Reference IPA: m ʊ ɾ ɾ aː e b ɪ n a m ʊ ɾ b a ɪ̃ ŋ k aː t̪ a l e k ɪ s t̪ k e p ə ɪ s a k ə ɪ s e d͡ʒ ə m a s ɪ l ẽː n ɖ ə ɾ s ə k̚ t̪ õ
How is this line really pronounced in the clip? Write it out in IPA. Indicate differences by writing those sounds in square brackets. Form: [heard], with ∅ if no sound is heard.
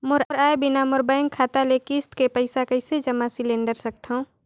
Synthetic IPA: m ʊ ɾ ɾ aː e b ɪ n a m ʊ ɾ b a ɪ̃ ŋ [kʰ] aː t̪ a l e k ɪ s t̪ k e p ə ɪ s a k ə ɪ s e d͡ʒ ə m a s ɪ l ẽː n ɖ ə ɾ s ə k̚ t̪ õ